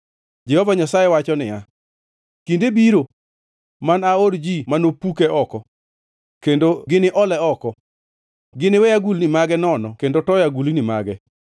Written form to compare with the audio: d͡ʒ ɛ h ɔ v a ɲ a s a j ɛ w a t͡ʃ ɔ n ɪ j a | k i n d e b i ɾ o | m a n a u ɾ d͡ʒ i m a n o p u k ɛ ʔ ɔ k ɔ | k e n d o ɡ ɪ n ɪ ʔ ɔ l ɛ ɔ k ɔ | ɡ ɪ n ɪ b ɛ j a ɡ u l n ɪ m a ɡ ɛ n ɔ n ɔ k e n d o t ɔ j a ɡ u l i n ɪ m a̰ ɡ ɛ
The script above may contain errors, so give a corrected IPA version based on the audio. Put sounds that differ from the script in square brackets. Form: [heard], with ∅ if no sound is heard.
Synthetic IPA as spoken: d͡ʒ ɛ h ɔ v a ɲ a s a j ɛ w a t͡ʃ ɔ n ɪ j a | k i n d e b i ɾ o | m a n a [o] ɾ d͡ʒ i m a n o p u k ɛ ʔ ɔ k ɔ | k e n d o ɡ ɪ n ɪ ʔ ɔ l ɛ ɔ k ɔ | ɡ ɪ n ɪ [w] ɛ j a ɡ u l n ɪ m a ɡ ɛ n ɔ n ɔ k e n d o t ɔ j a ɡ u l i n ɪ m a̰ ɡ ɛ